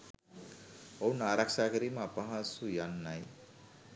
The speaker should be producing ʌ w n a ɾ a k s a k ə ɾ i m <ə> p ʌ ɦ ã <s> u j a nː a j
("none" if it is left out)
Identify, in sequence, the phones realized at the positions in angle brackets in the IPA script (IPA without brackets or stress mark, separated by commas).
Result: a, s